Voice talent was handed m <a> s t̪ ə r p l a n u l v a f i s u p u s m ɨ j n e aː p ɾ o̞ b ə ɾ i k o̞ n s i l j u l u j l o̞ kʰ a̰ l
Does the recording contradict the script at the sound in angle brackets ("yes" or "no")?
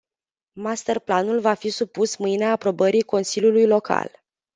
no